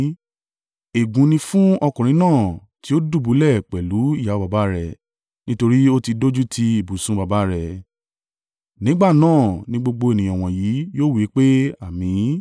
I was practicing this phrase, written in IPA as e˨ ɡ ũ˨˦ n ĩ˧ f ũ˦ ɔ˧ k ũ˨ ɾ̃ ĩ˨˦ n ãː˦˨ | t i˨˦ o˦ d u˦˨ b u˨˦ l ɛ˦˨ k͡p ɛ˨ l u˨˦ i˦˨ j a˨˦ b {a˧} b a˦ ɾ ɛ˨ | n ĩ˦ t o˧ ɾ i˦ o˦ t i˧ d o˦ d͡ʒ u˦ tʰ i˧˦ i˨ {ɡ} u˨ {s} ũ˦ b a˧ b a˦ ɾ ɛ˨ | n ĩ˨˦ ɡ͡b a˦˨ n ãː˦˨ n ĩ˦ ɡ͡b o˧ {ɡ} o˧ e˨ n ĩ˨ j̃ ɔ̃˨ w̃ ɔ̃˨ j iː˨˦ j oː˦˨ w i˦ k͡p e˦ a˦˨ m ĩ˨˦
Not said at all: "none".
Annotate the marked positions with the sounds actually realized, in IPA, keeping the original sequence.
a˧, b, s, ɡ͡b

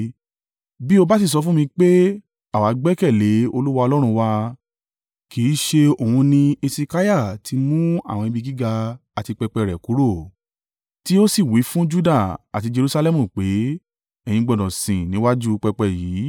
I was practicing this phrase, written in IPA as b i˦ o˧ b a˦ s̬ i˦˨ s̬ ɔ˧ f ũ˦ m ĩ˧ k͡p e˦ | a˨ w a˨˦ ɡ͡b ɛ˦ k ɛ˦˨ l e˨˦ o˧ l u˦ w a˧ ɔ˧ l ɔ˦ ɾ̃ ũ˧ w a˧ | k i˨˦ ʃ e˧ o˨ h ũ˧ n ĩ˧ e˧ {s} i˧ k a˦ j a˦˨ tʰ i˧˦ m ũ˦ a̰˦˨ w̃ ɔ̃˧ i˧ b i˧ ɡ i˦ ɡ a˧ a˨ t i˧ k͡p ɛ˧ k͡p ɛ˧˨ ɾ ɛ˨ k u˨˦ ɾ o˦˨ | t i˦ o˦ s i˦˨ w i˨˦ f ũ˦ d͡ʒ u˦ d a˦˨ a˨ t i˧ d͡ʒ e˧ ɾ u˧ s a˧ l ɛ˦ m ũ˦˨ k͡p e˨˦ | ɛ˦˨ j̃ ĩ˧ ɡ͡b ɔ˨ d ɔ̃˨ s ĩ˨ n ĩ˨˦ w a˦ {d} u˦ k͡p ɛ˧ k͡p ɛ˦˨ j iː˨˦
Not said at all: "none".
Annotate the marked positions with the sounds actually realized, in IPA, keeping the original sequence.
s, d͡ʒ

